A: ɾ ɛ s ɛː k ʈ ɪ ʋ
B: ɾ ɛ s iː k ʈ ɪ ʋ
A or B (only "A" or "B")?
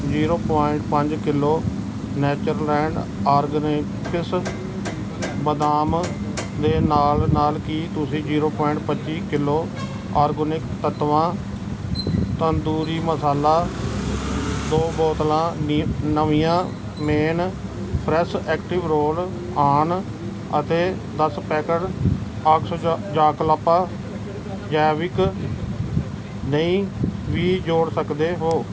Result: A